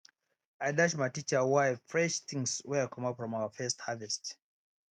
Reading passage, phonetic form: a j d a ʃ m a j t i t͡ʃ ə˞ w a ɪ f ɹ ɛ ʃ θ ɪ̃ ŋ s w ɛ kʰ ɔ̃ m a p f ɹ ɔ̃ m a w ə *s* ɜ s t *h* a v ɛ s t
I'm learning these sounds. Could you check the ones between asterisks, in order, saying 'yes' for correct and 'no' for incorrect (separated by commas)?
no, yes